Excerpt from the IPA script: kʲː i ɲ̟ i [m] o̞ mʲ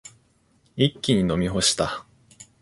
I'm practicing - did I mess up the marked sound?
yes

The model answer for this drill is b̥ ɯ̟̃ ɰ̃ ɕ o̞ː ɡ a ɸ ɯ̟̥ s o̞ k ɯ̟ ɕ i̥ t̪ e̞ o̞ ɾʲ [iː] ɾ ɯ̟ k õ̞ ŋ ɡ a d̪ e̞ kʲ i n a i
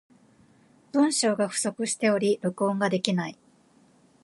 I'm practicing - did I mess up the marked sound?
yes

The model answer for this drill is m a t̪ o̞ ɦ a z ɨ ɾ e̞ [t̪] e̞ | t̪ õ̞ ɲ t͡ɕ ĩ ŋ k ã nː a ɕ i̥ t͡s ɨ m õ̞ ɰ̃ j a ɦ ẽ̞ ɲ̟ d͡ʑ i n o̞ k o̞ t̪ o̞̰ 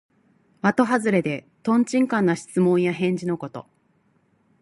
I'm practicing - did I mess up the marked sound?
yes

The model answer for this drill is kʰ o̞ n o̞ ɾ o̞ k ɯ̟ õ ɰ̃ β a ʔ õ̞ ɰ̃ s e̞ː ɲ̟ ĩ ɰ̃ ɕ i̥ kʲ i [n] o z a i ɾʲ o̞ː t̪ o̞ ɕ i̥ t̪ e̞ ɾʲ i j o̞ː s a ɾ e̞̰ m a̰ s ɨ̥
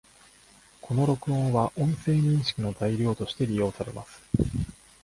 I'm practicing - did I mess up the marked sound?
no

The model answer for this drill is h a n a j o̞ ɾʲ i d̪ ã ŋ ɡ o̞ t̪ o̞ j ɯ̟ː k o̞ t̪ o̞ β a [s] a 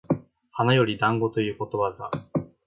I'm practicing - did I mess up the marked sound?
yes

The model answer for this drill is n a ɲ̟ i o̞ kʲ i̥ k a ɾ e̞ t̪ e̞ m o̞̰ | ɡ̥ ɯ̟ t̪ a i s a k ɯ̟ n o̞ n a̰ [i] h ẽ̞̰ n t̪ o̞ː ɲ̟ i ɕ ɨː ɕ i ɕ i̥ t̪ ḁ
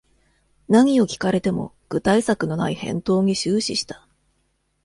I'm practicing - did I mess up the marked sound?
no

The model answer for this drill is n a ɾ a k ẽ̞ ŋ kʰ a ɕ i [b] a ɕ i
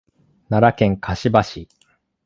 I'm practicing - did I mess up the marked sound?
no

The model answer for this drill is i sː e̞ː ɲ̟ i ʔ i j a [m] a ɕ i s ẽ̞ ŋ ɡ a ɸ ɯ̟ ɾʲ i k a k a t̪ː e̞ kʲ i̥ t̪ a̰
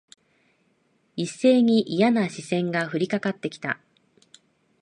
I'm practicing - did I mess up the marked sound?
yes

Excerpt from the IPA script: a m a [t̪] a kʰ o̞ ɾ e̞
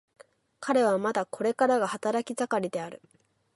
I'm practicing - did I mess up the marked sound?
yes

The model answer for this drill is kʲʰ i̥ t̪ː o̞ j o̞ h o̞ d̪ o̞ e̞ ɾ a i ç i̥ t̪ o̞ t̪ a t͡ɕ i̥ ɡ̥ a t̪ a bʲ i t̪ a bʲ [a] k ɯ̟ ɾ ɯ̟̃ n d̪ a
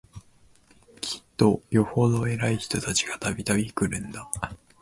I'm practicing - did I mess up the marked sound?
yes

